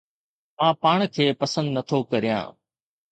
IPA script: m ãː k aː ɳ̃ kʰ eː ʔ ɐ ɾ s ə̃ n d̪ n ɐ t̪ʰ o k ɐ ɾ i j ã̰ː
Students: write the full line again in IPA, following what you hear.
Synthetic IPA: m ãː p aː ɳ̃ kʰ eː p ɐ s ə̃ n d̪ n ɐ t̪ʰ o k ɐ ɾ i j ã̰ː